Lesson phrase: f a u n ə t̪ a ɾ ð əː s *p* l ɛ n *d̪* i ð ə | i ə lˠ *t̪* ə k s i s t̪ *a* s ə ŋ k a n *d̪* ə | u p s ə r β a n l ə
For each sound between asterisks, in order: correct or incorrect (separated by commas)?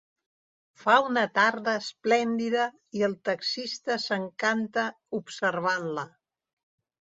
correct, correct, correct, incorrect, incorrect